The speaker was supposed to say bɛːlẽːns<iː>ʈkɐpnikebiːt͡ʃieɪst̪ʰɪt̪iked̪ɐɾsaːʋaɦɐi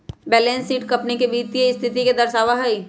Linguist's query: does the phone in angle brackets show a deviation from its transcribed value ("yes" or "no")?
no